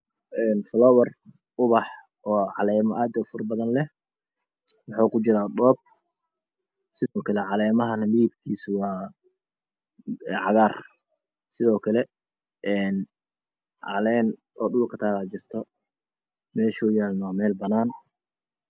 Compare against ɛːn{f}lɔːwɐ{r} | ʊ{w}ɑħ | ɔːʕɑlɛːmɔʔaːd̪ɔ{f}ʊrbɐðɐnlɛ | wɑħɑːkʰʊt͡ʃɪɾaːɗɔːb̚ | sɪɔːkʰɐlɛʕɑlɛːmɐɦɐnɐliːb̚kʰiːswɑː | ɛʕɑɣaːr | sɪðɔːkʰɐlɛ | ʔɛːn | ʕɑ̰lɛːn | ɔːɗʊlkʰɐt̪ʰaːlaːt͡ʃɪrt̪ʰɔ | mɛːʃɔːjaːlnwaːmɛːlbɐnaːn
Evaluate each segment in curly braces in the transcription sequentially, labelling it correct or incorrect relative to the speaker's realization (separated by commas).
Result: correct, correct, incorrect, correct